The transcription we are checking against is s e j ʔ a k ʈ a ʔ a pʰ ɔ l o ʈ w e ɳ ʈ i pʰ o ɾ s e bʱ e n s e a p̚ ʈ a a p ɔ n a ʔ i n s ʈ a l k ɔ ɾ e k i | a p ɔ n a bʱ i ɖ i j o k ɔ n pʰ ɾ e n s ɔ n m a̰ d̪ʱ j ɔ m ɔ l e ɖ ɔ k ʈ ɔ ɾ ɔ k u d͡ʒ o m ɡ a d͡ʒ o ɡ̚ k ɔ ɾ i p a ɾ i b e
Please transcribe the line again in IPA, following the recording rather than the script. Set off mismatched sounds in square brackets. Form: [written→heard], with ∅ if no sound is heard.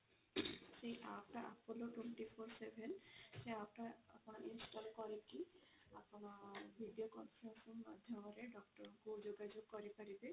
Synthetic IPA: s e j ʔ a [k→p] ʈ a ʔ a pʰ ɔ l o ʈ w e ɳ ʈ i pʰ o ɾ s e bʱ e n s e a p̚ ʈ a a p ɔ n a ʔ i n s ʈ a l k ɔ ɾ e k i | a p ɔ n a bʱ i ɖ i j o k ɔ n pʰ ɾ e n s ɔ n m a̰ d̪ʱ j ɔ m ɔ [l→ɾ] e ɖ ɔ k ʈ ɔ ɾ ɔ k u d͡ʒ o [m→∅] ɡ a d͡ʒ o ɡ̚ k ɔ ɾ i p a ɾ i b e